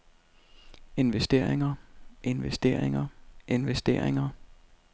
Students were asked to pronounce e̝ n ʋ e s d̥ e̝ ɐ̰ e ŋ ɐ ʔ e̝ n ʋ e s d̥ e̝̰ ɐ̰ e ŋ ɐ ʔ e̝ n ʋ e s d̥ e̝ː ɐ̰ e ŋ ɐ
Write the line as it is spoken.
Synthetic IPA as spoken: e̝ n ʋ e s d̥ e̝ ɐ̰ e ŋ ɐ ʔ e̝ n ʋ e s d̥ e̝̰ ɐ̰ e ŋ ɐ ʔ e̝ n ʋ e s d̥ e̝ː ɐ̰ e ŋ ɐ